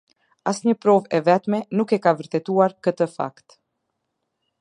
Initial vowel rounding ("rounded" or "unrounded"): unrounded